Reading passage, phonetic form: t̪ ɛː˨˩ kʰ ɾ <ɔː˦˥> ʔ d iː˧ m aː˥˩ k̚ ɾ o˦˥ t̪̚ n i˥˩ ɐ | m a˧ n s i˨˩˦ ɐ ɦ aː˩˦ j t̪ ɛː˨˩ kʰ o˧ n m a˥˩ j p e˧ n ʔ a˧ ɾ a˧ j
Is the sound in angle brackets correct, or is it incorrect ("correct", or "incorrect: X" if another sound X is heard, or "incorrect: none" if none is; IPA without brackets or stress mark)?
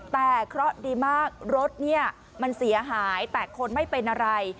incorrect: ɔ˦˥